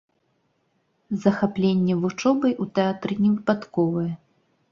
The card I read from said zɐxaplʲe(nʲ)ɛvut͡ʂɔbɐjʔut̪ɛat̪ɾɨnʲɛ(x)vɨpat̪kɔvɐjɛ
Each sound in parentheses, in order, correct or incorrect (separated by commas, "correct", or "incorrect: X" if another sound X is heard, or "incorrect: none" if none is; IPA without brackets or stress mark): incorrect: nʲː, incorrect: none